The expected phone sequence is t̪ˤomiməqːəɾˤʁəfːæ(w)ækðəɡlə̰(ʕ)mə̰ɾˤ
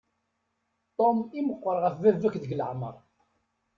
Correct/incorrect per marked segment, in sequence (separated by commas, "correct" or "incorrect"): incorrect, correct